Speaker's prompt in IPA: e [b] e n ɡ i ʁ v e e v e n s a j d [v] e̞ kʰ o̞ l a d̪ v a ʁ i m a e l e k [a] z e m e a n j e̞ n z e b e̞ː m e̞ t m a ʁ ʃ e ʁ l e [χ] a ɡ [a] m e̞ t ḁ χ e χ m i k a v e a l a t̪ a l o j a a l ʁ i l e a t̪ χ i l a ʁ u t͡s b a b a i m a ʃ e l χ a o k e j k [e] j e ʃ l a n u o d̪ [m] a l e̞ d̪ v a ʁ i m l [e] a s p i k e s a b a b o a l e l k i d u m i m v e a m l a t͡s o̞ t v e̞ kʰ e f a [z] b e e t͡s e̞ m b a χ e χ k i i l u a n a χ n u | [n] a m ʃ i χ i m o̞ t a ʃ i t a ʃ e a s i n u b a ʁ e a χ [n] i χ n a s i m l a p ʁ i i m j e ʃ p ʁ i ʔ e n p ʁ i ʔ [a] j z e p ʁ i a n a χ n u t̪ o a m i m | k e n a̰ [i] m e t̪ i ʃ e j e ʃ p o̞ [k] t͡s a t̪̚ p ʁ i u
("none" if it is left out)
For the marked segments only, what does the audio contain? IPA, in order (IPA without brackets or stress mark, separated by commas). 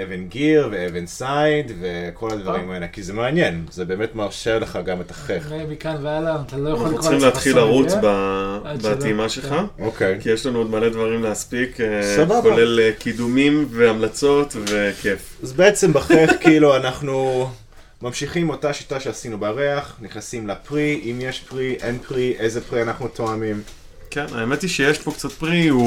v, v, i, χ, a, i, m, e, z, m, n, e, e, k